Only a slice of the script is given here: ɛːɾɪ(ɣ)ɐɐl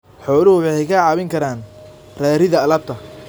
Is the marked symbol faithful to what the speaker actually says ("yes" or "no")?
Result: no